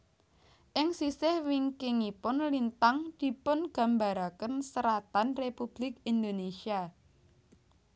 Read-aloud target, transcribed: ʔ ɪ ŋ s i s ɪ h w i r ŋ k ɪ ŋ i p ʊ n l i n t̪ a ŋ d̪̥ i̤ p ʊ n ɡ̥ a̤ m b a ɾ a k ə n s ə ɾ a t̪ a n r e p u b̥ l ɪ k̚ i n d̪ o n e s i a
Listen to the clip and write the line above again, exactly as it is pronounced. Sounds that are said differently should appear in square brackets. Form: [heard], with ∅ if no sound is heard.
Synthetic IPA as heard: ʔ ɪ ŋ s i s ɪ h w i [∅] ŋ k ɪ ŋ i p ʊ n l i n t̪ a ŋ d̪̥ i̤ p ʊ n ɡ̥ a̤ m b a ɾ a k ə n s ə ɾ a t̪ a n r e p u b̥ l ɪ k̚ i n d̪ o n e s i a